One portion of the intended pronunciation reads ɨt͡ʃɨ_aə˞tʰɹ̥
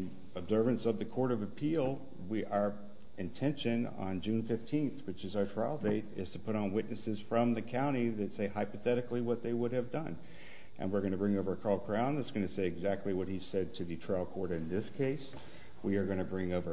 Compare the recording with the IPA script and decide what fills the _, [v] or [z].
z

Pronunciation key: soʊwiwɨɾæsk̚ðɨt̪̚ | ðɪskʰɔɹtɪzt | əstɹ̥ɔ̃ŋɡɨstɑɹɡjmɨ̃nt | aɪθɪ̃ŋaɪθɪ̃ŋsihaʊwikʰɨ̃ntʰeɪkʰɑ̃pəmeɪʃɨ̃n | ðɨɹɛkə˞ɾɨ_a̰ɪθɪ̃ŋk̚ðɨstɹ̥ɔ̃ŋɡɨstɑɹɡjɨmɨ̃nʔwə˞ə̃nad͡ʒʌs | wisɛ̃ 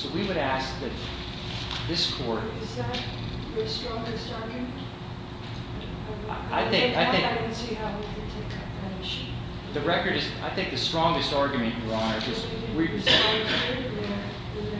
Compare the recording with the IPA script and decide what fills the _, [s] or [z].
z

